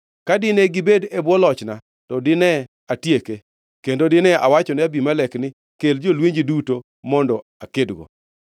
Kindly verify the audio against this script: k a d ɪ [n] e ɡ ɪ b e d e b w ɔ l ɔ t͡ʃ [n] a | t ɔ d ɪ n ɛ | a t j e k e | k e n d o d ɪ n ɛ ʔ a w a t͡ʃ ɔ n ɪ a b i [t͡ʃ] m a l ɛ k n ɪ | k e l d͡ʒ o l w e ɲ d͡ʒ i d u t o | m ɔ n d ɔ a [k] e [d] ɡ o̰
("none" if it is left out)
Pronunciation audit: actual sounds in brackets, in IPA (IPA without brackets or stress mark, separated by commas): n, n, none, k, d